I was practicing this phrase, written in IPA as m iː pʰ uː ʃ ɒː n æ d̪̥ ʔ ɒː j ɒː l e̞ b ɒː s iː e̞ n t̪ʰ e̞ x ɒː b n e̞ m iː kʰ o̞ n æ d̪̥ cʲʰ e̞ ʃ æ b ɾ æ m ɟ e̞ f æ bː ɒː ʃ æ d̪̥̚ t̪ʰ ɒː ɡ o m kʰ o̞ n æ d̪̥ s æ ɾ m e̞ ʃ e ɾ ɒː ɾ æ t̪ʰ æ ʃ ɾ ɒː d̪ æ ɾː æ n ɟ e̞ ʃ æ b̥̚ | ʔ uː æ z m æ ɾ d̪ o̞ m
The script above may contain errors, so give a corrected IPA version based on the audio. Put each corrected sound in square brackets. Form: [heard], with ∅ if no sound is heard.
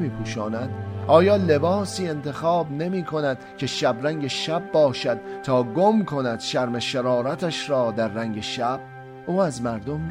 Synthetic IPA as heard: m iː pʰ uː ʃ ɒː n æ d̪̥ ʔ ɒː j ɒː l e̞ b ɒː s iː e̞ n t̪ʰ e̞ x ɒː b n e̞ m iː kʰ o̞ n æ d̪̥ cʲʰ e̞ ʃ æ b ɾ æ [ŋ] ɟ e̞ [ʃ] æ bː ɒː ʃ æ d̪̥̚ t̪ʰ ɒː ɡ o m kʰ o̞ n æ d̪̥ [ʃ] æ ɾ m e̞ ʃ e ɾ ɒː ɾ æ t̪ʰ æ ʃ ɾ ɒː d̪ æ ɾː æ [ŋ] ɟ e̞ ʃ æ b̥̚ | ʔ uː æ z m æ ɾ d̪ o̞ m